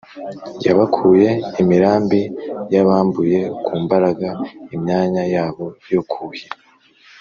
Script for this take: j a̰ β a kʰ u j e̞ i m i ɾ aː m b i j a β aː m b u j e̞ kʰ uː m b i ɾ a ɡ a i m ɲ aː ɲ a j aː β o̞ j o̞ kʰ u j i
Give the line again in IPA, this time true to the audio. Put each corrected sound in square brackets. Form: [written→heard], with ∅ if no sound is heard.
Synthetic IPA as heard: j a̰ β a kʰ u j e̞ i m i ɾ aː m b i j a β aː m b u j e̞ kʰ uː m b [i→a] ɾ a ɡ a i m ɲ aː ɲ a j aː β o̞ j o̞ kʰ u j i